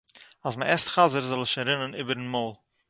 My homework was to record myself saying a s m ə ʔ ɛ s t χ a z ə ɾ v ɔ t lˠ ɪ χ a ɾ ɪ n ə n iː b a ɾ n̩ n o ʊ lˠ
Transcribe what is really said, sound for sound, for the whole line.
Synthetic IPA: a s m ə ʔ ɛ s t χ a z ə ɾ z ɔ lˠ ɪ ʃ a ɾ ɪ n ə n iː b ə ɾ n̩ m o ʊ lˠ